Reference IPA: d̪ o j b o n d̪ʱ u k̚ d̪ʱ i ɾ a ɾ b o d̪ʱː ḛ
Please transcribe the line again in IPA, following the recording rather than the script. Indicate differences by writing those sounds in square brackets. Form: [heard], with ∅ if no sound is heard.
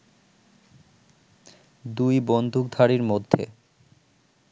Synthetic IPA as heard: d̪ [u] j b o n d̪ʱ u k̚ d̪ʱ [a] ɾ [i] ɾ [m] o d̪ʱː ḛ